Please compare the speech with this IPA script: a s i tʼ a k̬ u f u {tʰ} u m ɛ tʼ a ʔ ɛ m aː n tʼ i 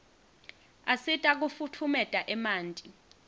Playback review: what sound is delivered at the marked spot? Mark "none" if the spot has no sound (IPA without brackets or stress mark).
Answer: tʰ